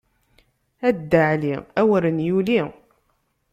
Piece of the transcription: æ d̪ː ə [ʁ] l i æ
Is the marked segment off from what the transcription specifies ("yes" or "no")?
yes